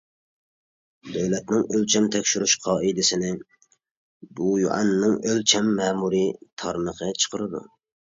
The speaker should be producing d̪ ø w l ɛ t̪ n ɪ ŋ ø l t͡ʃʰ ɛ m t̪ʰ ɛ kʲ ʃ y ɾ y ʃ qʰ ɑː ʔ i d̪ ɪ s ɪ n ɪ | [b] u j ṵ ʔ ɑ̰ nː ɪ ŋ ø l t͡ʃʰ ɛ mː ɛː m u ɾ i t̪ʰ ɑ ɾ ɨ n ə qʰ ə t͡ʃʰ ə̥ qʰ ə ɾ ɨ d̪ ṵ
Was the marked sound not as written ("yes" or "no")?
no